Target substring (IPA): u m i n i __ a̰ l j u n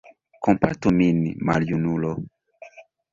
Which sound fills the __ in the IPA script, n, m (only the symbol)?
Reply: m